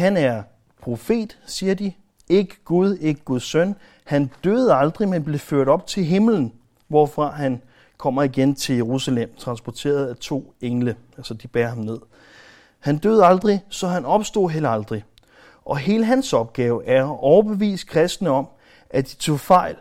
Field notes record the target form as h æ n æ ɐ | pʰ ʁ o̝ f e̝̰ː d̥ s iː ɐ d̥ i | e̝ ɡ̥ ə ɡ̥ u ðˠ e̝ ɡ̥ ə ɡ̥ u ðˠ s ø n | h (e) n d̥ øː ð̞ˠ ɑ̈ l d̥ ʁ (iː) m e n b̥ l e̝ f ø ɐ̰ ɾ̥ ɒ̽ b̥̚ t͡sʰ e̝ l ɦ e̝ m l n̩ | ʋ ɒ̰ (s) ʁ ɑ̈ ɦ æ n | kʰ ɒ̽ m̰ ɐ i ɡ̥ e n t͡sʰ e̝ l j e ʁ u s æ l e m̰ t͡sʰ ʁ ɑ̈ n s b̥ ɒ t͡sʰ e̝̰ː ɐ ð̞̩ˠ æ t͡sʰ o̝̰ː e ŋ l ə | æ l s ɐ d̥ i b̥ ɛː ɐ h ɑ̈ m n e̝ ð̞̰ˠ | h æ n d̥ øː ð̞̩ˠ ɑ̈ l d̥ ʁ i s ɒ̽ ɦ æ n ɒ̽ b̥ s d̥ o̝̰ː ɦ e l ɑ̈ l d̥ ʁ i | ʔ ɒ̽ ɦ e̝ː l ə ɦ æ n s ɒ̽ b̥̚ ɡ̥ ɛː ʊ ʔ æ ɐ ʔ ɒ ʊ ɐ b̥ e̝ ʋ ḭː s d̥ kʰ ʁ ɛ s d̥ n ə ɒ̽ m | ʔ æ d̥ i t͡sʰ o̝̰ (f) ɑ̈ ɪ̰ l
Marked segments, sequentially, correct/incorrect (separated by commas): incorrect, incorrect, incorrect, correct